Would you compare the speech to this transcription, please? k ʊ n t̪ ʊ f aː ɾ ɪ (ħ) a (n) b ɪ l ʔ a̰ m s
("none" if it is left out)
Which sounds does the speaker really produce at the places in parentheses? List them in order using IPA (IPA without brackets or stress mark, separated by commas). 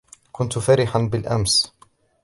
ħ, n